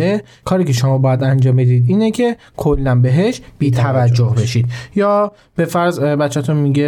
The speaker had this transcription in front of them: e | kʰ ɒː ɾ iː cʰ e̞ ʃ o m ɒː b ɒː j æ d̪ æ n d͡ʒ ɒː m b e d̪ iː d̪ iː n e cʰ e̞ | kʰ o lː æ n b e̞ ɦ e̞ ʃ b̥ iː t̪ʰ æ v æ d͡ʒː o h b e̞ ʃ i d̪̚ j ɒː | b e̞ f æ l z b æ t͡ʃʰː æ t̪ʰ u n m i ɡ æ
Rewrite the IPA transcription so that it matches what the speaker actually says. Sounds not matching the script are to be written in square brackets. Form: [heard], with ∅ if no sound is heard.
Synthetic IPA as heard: e | kʰ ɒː ɾ iː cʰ e̞ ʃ o m ɒː b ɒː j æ d̪ æ n d͡ʒ ɒː m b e d̪ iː d̪ iː n e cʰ e̞ | kʰ o lː æ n b e̞ ɦ e̞ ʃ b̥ iː t̪ʰ æ v æ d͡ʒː o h b e̞ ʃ i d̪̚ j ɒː | b e̞ f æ [ɾ] z b æ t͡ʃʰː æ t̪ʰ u n m i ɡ [e]